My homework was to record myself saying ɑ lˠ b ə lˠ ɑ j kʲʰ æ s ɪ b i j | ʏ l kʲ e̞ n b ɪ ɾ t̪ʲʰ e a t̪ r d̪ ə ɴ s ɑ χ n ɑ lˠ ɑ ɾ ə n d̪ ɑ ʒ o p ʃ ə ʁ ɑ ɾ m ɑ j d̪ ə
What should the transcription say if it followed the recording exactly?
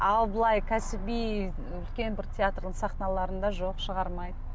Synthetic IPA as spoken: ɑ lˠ b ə lˠ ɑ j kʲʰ æ s ɪ b i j | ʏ l kʲ e̞ n b ɪ ɾ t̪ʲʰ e a t̪ r d̪ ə ɴ s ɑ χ n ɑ lˠ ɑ ɾ ə n d̪ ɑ ʒ o q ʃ ə ʁ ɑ ɾ m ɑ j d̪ ə